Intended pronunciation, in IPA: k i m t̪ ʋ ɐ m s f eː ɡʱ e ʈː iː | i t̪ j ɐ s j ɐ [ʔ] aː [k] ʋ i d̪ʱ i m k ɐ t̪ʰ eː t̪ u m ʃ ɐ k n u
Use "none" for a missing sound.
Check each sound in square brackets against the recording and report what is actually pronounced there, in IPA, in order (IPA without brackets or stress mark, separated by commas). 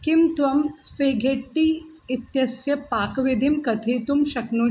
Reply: p, k